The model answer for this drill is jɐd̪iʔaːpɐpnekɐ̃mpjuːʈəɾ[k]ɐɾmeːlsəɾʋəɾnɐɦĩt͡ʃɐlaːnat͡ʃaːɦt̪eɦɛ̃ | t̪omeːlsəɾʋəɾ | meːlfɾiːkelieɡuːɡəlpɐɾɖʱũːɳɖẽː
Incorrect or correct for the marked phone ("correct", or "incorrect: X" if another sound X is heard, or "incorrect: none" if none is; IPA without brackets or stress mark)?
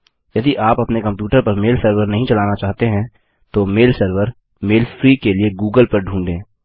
incorrect: p